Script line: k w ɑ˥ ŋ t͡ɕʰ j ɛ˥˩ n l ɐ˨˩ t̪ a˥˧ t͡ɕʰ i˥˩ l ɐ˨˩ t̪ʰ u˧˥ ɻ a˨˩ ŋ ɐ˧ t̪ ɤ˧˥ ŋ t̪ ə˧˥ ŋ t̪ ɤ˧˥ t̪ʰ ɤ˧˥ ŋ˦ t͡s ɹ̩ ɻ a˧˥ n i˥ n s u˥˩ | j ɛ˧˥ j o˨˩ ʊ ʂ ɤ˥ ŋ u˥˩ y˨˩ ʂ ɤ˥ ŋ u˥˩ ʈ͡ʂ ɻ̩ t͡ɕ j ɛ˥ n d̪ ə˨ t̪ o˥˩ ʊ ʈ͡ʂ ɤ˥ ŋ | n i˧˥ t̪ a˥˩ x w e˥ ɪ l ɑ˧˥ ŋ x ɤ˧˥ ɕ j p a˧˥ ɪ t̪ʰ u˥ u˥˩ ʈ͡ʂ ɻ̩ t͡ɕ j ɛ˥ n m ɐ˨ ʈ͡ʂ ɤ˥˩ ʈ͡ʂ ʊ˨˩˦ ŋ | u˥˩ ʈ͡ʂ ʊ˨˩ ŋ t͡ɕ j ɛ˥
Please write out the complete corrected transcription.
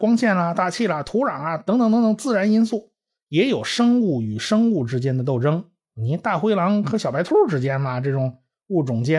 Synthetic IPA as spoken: k w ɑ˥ ŋ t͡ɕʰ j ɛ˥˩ n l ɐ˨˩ t̪ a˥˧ t͡ɕʰ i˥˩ l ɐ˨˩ t̪ʰ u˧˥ ɻ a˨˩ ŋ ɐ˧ t̪ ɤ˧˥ ŋ t̪ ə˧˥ ŋ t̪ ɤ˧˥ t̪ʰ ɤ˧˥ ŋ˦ t͡s ɹ̩ ɻ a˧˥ n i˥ n s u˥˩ | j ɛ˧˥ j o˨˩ ʊ ʂ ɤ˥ ŋ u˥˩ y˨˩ ʂ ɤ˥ ŋ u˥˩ ʈ͡ʂ ɻ̩ t͡ɕ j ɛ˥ n d̪ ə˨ t̪ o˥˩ ʊ ʈ͡ʂ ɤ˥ ŋ | n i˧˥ t̪ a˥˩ x w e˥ ɪ l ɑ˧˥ ŋ x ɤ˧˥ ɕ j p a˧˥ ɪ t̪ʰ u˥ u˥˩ ʈ͡ʂ ɻ̩ t͡ɕ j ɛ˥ n m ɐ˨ ʈ͡ʂ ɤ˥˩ ʈ͡ʂ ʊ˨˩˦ ŋ | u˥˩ ʈ͡ʂ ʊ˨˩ ŋ t͡ɕ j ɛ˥